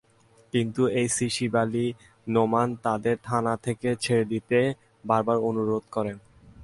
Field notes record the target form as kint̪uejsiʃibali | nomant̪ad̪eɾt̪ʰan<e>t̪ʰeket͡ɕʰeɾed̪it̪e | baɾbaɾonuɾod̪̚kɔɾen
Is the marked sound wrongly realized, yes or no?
yes